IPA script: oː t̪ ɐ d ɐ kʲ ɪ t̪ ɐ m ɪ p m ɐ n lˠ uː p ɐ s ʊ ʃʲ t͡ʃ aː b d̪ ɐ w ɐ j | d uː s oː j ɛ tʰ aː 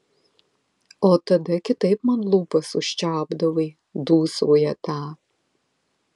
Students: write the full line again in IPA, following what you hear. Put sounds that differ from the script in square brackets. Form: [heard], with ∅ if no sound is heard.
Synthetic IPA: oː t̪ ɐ d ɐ kʲ ɪ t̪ ɐ [∅] ɪ p m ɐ n lˠ uː p ɐ s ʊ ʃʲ t͡ʃ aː b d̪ ɐ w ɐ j | d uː s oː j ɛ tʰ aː